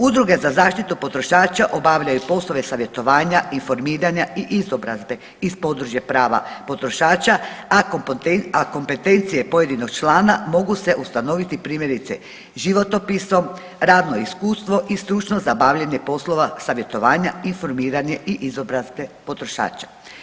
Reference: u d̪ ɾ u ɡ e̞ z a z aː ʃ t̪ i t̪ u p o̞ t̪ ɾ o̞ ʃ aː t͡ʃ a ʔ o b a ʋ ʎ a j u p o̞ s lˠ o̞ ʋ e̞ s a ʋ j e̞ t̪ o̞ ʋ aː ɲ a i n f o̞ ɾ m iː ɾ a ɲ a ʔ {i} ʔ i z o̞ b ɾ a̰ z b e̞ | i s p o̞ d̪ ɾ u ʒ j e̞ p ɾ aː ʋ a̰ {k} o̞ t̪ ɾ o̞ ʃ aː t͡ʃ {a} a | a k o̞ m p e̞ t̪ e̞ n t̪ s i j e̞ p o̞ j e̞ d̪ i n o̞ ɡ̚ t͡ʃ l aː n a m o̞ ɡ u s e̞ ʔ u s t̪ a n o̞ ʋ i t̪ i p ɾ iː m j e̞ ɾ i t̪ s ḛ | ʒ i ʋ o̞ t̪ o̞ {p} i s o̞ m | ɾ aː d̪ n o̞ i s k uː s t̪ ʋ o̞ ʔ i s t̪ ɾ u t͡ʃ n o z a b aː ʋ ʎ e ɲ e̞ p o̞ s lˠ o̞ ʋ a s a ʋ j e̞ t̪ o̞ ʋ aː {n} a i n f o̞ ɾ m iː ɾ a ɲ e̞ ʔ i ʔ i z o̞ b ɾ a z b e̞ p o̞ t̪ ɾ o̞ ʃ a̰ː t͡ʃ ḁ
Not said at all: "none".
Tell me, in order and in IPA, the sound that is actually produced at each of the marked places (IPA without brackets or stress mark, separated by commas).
i, p, a, p, ɲ